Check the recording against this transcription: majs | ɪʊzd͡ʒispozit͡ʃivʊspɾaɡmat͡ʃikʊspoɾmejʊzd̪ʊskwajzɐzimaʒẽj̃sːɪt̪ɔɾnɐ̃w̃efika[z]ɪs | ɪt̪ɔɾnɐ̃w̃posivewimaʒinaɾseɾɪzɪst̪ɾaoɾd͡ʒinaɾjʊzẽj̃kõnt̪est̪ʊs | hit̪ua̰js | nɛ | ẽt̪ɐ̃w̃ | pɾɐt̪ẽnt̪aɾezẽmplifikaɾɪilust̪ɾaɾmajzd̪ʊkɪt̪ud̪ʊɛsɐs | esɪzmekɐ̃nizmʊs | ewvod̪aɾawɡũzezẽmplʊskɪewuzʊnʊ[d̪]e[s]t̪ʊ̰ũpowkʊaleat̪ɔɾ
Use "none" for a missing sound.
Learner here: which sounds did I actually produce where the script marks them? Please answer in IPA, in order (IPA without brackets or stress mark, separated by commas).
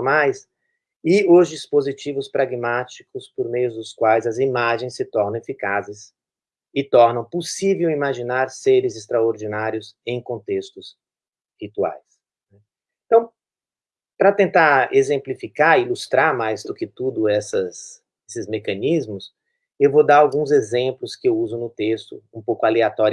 z, t̪, s